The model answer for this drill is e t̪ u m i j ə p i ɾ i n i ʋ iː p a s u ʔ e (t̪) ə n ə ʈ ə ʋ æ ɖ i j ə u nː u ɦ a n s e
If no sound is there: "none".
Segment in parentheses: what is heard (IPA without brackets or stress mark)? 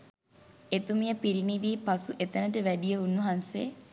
t̪